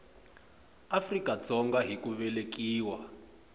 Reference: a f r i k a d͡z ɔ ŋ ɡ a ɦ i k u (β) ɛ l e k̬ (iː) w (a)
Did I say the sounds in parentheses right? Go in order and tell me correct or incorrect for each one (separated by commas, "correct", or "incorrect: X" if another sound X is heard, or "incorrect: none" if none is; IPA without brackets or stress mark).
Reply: correct, correct, correct